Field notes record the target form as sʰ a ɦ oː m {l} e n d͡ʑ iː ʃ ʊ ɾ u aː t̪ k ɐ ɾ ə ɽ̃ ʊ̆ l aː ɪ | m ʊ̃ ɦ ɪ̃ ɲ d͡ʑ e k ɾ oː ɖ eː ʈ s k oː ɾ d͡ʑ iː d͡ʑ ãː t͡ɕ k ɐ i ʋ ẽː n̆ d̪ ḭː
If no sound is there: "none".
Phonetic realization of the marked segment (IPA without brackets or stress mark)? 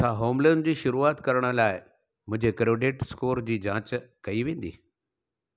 l